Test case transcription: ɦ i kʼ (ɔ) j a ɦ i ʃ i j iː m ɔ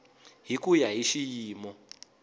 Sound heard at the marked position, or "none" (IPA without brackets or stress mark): u